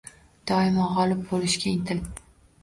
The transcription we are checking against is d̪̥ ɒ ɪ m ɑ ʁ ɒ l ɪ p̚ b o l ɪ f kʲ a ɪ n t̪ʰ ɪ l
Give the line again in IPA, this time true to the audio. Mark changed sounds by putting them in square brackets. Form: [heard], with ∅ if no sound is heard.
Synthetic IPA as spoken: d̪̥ ɒ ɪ m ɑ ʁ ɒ l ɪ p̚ b o l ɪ [ʃ] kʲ a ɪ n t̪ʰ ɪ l